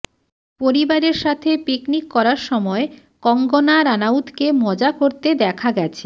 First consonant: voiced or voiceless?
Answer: voiceless